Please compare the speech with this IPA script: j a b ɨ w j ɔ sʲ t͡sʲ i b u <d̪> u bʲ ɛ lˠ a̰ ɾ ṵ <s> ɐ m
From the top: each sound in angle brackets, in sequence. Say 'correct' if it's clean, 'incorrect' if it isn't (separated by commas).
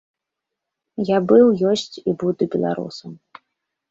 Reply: correct, correct